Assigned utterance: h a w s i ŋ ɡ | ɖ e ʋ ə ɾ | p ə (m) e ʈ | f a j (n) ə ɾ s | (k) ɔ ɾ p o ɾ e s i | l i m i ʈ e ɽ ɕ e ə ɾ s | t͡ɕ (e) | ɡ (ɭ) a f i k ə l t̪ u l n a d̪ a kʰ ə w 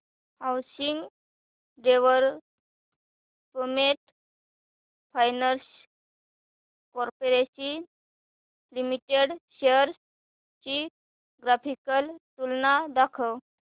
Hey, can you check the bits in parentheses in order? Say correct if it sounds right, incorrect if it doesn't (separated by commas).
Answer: correct, correct, correct, incorrect, incorrect